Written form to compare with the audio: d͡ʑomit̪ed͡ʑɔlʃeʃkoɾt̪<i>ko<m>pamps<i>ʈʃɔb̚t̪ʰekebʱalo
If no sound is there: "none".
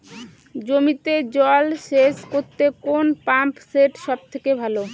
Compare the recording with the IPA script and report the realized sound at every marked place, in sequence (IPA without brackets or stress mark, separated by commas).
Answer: e, n, e